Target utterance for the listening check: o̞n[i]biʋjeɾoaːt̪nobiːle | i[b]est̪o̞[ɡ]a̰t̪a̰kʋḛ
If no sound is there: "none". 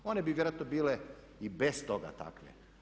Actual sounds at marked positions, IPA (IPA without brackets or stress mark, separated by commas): e, b, ɡ